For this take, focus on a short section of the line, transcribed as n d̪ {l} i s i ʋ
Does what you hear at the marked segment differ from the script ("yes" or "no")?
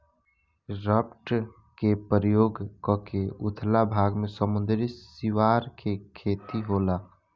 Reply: yes